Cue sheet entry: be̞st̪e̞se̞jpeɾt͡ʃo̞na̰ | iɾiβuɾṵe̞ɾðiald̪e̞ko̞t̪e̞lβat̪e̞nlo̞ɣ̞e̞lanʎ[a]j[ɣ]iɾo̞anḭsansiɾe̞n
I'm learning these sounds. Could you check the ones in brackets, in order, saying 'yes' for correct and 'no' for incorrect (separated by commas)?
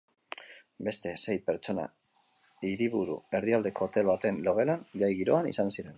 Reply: yes, yes